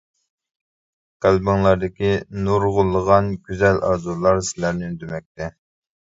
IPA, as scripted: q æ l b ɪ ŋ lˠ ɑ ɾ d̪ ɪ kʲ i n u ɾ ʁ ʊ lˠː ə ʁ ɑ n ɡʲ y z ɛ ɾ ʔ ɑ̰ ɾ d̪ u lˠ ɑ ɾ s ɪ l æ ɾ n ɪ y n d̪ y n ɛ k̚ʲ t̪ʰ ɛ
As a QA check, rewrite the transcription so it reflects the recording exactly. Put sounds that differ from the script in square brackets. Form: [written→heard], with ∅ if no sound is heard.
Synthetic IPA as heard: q æ l b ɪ ŋ lˠ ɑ ɾ d̪ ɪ kʲ i n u ɾ ʁ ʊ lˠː ə ʁ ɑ n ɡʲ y z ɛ [ɾ→l] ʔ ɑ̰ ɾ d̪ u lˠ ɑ ɾ s ɪ l æ ɾ n ɪ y n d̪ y [n→m] ɛ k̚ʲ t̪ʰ ɛ